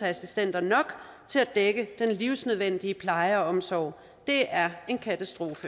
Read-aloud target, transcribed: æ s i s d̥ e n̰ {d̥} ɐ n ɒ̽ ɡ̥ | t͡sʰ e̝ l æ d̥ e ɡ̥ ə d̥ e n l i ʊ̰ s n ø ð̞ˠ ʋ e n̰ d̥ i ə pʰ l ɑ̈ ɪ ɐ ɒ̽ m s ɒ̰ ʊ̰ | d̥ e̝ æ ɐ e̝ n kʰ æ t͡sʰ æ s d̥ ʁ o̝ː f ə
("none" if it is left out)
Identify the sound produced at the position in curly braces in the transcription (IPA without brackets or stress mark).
d̥